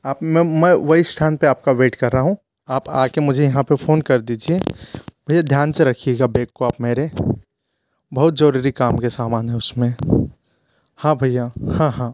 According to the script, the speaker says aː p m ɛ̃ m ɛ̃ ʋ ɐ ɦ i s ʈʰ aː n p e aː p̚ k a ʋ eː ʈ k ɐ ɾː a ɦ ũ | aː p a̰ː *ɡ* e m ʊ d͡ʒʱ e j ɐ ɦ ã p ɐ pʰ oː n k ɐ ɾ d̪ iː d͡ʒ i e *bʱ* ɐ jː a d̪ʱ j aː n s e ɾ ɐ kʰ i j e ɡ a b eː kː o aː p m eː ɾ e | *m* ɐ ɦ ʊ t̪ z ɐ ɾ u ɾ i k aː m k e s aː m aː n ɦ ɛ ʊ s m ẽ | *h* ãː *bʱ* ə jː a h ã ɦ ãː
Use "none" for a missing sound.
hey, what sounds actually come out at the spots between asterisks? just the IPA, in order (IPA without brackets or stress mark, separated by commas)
k, bʱ, b, h, bʱ